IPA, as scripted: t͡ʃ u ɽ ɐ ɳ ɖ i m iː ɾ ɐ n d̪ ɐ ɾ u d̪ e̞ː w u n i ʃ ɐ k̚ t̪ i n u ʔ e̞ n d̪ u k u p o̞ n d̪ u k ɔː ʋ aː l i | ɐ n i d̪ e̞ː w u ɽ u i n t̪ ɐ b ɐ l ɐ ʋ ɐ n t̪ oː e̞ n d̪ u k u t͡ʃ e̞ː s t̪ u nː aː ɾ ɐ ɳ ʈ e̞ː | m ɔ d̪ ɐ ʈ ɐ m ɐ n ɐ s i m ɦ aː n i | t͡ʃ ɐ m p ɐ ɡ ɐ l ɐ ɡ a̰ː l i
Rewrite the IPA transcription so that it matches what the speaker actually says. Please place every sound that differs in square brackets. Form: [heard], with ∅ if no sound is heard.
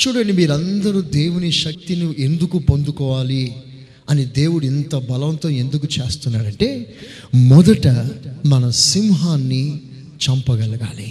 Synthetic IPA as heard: t͡ʃ [uː] ɽ ɐ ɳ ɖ i m iː ɾ ɐ n d̪ ɐ ɾ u d̪ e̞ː w u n i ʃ ɐ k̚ t̪ i n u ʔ e̞ n d̪ u k u p o̞ n d̪ u k ɔː ʋ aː l i | ɐ n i d̪ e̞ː w u ɽ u i n t̪ ɐ b ɐ l ɐ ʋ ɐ n t̪ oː e̞ n d̪ u k u t͡ʃ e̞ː s t̪ u nː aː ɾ ɐ ɳ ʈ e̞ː | m ɔ d̪ ɐ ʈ ɐ m ɐ n ɐ s i m ɦ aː [nː] i | t͡ʃ ɐ m p ɐ ɡ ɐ l ɐ ɡ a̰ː l i